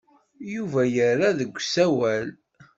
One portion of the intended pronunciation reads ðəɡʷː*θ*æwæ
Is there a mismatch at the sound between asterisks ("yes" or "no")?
yes